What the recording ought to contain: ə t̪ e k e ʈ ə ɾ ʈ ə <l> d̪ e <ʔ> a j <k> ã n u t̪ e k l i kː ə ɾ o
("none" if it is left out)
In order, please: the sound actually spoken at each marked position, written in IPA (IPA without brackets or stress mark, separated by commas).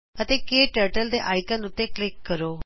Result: l, ʔ, k